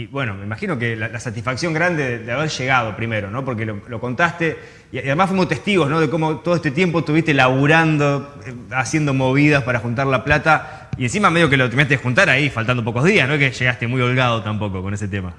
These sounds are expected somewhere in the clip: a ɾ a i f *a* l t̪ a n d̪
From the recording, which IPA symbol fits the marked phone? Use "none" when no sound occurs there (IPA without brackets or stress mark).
a